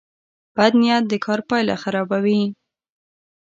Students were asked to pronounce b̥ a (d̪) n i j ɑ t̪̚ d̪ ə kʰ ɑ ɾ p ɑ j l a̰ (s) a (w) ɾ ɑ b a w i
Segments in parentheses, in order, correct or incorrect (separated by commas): correct, incorrect, incorrect